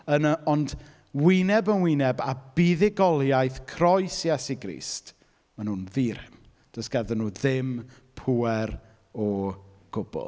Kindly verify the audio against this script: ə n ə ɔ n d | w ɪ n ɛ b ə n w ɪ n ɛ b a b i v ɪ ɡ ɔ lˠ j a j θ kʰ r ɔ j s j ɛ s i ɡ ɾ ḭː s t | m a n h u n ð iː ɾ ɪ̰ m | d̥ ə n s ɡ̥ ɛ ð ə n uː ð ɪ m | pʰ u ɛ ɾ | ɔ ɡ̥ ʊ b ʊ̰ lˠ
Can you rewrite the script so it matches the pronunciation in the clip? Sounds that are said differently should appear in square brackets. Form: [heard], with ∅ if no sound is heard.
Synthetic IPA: ə n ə ɔ n d | w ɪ n ɛ b ə n w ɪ n ɛ b a b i [ð] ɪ ɡ ɔ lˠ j a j θ kʰ r ɔ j s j ɛ s i ɡ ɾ ḭː s t | m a n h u n ð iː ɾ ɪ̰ m | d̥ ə [∅] s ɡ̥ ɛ ð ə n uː ð ɪ m | pʰ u ɛ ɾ | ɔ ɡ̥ ʊ b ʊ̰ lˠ

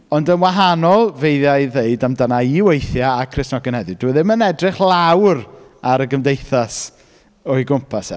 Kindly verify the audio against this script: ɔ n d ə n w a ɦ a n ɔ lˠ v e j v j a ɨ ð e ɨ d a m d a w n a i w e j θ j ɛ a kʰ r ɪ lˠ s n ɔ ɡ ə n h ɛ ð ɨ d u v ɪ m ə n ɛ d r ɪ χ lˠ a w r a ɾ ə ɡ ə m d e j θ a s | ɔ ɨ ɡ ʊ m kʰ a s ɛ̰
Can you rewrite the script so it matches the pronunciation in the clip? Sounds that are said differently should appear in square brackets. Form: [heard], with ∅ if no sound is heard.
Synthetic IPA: ɔ n d ə n w a ɦ a n ɔ lˠ v e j [ð] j a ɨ ð e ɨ d a m d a [∅] n a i w e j θ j [a] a kʰ r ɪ [∅] s n ɔ ɡ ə n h ɛ ð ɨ d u [ð] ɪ m ə n ɛ d r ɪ χ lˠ a w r a ɾ ə ɡ ə m d e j θ a s | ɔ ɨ ɡ ʊ m [pʰ] a s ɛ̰

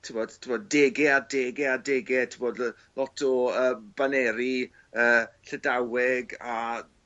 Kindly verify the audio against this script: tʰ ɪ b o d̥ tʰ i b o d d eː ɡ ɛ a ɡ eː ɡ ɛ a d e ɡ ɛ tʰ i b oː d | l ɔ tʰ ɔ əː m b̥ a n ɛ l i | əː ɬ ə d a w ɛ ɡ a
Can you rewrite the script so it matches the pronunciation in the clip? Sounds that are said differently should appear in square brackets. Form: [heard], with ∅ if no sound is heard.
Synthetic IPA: tʰ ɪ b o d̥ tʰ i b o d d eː ɡ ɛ a [d] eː ɡ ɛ a d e ɡ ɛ tʰ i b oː d | l ɔ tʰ ɔ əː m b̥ a n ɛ [ɾ] i | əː ɬ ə d a w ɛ ɡ a

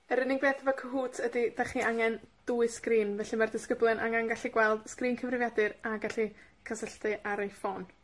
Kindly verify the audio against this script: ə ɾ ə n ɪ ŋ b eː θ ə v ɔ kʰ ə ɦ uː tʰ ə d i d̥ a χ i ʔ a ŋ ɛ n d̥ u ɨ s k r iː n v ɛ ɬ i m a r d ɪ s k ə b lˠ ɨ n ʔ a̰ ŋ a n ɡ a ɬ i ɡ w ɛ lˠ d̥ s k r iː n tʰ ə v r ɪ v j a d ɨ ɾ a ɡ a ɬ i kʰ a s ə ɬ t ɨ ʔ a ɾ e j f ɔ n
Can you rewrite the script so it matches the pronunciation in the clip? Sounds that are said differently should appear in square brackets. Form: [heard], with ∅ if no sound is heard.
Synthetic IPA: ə ɾ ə n ɪ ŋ b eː θ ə v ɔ kʰ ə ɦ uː tʰ ə d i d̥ a χ i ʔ a ŋ ɛ n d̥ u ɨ s k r iː n v ɛ ɬ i m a r d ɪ s k ə b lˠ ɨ n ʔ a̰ ŋ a n ɡ a ɬ i ɡ w ɛ lˠ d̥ s k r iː n [kʰ] ə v r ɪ v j a d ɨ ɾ a ɡ a ɬ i kʰ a s ə ɬ t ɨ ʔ a ɾ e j f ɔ n

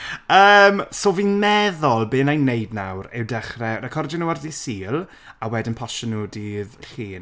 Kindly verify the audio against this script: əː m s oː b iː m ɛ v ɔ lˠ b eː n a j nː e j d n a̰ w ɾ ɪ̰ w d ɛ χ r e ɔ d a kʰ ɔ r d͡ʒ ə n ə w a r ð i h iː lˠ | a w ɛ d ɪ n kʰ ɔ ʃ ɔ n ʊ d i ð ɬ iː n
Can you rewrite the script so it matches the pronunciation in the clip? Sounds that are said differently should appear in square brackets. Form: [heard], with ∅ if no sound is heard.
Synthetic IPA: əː m s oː [v] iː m ɛ [ð] ɔ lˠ b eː n a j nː e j d n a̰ w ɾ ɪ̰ w d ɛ χ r [ɛ] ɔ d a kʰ ɔ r d͡ʒ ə n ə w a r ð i [s] iː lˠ | a w ɛ d ɪ n [pʰ] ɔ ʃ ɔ n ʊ d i ð ɬ iː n

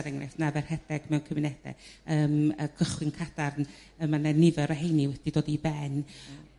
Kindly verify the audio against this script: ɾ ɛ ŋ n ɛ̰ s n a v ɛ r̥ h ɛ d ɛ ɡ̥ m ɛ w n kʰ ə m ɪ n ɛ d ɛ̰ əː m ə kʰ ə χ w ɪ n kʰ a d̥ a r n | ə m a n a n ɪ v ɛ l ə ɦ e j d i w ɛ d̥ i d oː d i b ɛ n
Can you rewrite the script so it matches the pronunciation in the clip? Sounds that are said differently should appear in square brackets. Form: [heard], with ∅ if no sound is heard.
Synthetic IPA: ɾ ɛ ŋ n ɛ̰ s n a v ɛ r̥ h ɛ d ɛ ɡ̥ m ɛ w n kʰ ə m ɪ n ɛ d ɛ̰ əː m ə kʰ ə χ w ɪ n kʰ a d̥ a r n | ə m a n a n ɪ v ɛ [ɾ] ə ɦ e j [n] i w ɛ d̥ i d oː d i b ɛ n

